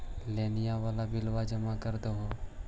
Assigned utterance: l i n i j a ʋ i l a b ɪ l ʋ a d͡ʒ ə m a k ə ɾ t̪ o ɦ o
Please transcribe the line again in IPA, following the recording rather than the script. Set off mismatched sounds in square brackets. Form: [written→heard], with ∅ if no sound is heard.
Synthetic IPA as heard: l [i→e] n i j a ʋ [i→a] l a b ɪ l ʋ a d͡ʒ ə m a k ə ɾ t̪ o ɦ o